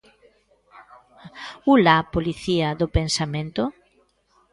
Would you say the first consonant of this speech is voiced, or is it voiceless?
voiced